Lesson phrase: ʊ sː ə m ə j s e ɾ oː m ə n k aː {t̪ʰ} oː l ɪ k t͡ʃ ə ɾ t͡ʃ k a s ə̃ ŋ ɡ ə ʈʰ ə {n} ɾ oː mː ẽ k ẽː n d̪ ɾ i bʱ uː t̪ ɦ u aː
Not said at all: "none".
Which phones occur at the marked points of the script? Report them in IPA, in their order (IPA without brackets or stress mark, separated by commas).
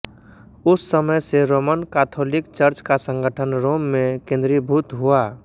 t̪ʰ, n